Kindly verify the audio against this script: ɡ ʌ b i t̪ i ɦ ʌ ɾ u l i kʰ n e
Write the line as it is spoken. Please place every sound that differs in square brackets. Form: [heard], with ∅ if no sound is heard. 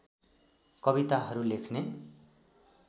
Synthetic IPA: [k] ʌ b i t̪ [a] ɦ ʌ ɾ u l [e] kʰ n e